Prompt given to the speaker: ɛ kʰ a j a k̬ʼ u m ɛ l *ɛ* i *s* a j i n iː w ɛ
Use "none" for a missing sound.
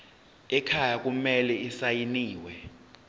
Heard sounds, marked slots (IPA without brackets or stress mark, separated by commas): ɛ, s